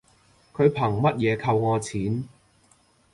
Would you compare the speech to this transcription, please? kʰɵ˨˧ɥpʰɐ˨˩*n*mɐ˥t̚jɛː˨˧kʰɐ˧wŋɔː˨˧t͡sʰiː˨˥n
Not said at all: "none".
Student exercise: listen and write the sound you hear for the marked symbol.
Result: ŋ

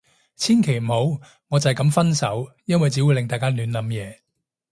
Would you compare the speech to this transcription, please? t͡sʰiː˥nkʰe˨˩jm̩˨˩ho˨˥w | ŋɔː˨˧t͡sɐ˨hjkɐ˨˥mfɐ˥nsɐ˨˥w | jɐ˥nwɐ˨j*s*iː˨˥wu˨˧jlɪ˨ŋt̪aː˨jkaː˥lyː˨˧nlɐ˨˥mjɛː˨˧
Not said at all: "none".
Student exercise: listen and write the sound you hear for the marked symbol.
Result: t͡s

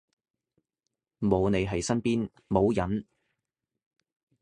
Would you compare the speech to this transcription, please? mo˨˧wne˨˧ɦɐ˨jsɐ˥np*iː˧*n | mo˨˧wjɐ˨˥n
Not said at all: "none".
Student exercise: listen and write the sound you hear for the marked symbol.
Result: iː˥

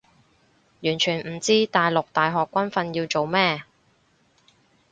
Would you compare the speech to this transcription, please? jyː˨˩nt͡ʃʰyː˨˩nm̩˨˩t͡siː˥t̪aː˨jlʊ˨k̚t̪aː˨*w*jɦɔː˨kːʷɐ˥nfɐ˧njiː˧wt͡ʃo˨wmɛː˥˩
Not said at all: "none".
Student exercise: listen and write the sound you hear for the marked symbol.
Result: none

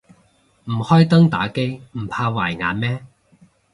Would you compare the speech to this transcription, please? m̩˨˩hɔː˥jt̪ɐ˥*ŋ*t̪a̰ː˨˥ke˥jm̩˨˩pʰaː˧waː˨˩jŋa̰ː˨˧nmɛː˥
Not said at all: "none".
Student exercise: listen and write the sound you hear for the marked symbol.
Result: ŋ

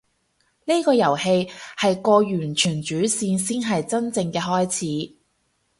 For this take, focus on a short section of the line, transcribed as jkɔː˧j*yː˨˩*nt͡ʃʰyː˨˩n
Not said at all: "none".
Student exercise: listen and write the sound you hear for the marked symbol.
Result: yː˨˩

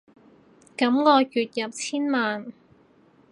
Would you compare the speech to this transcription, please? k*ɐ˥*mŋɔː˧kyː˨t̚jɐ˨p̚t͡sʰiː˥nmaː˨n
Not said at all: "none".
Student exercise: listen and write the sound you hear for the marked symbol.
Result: ɐ˨˥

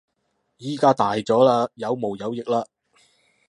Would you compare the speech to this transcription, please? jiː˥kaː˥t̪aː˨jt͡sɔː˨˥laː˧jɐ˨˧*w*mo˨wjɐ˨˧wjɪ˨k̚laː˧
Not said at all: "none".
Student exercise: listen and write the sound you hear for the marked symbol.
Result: w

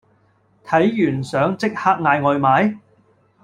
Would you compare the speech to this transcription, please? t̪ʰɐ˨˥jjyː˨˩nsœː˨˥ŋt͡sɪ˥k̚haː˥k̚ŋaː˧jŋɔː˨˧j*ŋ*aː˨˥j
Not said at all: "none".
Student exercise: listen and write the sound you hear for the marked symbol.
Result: m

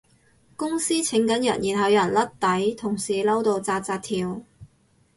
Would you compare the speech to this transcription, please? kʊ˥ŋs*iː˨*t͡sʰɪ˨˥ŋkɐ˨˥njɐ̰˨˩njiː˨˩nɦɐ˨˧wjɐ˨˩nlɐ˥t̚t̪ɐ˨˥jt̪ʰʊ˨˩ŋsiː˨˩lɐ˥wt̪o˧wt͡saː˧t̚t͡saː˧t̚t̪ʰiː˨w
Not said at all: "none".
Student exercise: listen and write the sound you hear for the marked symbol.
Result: iː˥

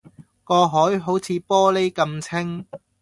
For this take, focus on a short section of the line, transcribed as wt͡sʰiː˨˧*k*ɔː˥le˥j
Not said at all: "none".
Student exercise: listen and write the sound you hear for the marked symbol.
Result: p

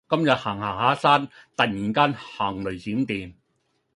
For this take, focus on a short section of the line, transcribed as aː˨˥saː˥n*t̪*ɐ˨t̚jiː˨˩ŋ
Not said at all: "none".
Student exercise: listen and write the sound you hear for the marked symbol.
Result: t̪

